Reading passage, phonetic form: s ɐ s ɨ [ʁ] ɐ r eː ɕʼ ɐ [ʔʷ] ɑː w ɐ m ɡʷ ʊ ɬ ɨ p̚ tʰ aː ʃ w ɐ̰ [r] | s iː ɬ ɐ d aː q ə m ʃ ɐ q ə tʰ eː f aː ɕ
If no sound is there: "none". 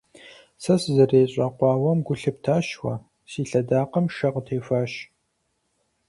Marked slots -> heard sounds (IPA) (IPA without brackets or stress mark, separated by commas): z, qʷ, none